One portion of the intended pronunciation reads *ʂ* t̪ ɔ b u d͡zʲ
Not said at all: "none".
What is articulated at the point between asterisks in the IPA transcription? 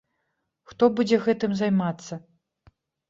x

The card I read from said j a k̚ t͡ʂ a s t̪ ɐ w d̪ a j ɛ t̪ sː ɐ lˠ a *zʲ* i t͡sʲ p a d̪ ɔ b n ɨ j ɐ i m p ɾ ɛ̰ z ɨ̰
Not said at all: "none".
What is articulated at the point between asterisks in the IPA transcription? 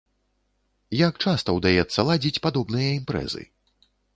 d͡zʲ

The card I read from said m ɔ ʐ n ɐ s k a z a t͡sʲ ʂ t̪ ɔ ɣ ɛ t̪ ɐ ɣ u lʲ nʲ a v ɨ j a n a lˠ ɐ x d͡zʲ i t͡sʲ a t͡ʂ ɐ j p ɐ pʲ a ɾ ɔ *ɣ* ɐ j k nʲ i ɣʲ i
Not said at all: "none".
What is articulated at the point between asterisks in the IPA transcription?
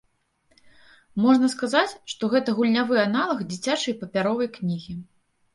v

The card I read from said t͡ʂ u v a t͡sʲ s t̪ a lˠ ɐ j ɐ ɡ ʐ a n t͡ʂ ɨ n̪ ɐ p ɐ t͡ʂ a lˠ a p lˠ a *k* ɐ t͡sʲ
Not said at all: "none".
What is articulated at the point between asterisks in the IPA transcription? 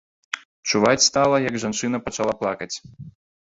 k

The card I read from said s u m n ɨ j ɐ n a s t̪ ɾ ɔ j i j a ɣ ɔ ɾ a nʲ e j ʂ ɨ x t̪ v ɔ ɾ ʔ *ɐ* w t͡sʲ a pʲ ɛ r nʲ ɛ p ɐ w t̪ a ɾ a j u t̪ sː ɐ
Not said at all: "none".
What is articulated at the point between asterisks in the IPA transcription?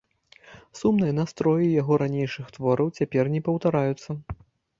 ɐ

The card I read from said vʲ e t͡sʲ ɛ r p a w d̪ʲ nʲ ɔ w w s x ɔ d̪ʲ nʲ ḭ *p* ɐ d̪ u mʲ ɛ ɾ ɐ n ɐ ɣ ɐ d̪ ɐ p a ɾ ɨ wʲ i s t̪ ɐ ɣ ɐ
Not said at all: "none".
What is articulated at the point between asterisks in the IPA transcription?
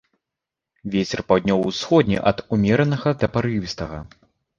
ʔ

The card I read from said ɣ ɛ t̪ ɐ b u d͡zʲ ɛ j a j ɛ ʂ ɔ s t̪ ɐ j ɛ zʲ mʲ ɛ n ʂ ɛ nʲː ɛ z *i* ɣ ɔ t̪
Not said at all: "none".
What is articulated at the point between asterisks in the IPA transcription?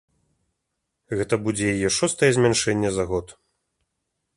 a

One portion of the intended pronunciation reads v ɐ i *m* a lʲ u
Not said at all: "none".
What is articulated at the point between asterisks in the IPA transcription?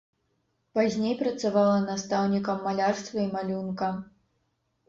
m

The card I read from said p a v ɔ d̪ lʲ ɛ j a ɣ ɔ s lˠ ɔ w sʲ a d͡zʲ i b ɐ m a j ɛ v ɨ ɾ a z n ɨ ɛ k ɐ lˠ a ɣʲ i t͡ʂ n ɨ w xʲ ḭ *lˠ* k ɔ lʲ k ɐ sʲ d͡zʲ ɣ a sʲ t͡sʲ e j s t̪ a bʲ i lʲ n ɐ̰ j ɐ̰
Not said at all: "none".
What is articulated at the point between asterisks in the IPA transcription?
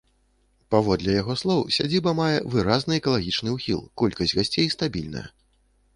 lˠ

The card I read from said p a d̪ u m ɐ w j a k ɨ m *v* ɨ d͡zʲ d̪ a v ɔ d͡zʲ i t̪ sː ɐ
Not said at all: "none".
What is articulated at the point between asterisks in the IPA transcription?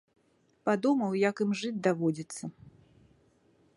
ʐ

